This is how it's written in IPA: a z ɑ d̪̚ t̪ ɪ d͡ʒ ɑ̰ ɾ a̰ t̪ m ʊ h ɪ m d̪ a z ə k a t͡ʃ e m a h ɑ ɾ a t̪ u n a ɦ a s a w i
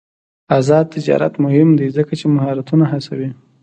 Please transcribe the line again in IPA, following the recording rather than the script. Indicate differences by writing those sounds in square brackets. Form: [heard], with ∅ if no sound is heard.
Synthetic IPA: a z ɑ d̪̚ t̪ ɪ d͡ʒ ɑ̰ ɾ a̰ t̪ m ʊ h ɪ m d̪ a z ə k a t͡ʃ e m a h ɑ ɾ a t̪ u n a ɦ a s a w i